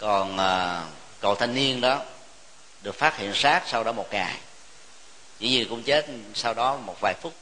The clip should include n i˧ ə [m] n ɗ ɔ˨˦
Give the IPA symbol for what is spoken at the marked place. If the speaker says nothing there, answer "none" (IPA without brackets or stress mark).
none